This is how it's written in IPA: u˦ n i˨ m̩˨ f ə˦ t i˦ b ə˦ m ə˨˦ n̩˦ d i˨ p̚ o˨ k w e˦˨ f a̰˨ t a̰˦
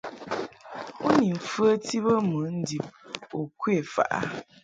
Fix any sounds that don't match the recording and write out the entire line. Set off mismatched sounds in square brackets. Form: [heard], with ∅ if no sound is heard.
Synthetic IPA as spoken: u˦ n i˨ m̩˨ f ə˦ t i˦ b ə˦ m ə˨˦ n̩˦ d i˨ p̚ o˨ k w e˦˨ f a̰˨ [ʔ] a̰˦

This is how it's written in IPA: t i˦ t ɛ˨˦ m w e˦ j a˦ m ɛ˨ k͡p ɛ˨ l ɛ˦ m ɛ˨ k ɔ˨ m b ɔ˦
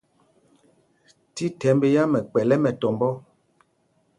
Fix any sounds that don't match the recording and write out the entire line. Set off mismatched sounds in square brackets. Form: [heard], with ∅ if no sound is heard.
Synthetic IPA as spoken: t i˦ t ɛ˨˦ m [b] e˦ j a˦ m ɛ˨ k͡p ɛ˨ l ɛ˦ m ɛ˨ [t] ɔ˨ m b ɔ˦

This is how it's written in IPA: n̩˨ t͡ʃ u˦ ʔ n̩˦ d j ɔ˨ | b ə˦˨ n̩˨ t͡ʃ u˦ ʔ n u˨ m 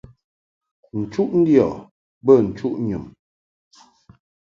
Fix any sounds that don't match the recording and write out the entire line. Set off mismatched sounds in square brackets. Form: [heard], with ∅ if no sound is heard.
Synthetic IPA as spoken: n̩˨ t͡ʃ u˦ ʔ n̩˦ d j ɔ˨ | b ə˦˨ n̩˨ t͡ʃ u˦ ʔ [ɲ] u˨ m

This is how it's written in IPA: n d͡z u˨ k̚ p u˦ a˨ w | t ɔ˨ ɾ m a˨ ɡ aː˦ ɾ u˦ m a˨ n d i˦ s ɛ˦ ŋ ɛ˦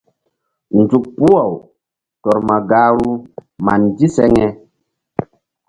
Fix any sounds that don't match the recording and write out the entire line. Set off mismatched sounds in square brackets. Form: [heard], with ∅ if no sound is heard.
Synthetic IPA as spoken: n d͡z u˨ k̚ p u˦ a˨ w | t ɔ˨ ɾ m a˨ ɡ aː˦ ɾ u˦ m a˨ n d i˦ s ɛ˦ ŋ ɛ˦

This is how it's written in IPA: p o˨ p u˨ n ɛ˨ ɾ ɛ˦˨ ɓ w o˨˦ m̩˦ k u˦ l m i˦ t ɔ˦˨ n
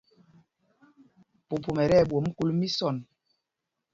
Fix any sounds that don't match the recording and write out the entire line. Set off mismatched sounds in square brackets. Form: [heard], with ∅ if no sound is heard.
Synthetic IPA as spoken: p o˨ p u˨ [m] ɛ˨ ɾ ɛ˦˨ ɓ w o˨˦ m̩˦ k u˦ l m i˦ [s] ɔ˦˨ n

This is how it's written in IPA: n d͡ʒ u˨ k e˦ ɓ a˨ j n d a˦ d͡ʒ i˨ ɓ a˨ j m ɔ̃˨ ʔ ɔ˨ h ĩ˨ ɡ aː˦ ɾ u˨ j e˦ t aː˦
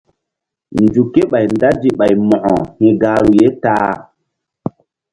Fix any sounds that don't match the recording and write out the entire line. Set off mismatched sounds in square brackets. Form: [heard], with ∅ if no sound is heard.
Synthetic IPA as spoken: n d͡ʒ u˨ k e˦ ɓ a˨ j n d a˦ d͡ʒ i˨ ɓ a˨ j m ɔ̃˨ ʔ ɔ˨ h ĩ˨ ɡ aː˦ ɾ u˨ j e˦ t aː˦

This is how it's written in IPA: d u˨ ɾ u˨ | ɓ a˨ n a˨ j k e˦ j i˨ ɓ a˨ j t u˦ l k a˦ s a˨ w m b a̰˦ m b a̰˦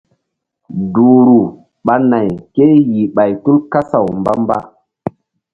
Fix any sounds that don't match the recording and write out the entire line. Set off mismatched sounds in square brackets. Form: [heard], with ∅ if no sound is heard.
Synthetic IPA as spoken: d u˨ ɾ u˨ | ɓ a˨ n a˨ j k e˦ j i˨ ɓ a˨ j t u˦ l k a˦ s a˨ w m b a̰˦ m b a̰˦

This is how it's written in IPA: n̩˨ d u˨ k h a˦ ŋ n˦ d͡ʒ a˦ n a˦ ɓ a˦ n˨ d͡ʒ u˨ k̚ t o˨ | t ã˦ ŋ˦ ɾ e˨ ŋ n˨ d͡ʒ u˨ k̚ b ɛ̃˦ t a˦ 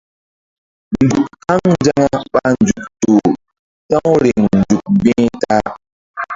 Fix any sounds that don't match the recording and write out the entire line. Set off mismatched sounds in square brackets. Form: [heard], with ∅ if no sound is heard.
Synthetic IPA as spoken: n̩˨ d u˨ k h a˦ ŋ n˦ d͡ʒ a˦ [ŋ] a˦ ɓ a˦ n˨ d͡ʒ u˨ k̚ t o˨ | t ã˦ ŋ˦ ɾ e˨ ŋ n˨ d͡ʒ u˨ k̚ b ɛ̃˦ t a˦

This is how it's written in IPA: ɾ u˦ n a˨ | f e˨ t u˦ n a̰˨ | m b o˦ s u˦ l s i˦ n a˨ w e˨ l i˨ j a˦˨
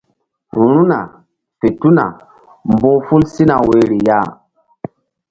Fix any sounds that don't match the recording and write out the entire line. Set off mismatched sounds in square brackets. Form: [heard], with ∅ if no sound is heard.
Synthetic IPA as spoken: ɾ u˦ n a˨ | f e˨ t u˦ n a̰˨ | m b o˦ [f] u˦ l s i˦ n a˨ w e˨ [ɾ] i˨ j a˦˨

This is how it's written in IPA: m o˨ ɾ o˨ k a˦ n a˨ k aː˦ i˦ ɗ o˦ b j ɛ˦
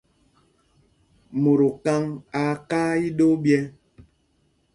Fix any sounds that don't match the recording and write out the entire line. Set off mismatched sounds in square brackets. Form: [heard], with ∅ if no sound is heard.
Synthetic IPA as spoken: m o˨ ɾ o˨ k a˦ [ŋ] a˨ k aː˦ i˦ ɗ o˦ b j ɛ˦

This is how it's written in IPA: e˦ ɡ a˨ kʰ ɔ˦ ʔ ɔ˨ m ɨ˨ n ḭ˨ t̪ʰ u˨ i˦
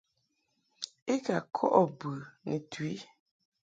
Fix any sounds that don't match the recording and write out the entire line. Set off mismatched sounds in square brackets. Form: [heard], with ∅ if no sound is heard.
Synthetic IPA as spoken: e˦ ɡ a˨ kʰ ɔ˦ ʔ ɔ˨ [b] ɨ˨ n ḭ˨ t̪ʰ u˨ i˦

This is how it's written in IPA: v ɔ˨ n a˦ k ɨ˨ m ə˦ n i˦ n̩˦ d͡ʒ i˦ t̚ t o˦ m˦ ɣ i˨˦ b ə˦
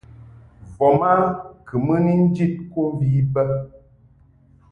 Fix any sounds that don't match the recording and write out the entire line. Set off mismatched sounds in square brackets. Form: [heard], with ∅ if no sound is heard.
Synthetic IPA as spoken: v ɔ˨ [m] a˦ k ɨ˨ m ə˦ n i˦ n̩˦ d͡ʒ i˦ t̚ [k] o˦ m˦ [v] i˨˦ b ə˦

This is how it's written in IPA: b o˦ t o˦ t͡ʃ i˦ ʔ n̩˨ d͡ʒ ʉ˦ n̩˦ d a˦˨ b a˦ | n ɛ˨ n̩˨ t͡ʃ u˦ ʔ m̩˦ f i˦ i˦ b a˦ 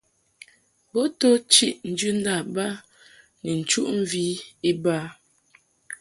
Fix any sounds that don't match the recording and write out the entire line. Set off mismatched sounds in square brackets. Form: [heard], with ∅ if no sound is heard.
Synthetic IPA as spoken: b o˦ t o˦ t͡ʃ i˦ ʔ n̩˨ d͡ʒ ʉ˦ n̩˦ d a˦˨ b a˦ | n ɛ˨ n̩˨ t͡ʃ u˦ ʔ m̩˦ [v] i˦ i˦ b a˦

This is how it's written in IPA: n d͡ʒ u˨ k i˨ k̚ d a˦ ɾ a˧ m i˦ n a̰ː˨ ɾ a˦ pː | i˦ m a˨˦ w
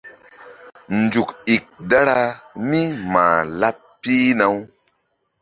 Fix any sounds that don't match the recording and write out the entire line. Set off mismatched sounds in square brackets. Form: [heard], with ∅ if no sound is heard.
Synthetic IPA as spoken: n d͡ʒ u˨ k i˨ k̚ d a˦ ɾ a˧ m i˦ [m] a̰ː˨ [l] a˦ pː | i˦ [n] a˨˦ w

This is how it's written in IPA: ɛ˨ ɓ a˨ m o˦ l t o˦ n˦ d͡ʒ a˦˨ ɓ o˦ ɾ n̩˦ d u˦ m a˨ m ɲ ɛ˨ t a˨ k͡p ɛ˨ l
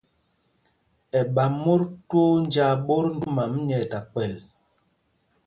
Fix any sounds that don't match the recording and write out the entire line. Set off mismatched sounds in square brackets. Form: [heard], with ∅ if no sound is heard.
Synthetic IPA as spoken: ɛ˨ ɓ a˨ m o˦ [ɾ] t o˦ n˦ d͡ʒ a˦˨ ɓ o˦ ɾ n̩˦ d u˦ m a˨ m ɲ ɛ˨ t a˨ k͡p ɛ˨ l

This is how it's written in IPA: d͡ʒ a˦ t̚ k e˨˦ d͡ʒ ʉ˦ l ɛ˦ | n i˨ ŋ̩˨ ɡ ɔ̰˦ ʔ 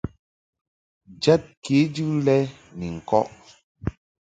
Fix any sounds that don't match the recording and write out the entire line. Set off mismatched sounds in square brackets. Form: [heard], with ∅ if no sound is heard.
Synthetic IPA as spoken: d͡ʒ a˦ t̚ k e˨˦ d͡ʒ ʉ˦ l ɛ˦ | n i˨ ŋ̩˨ [k] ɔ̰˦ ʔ

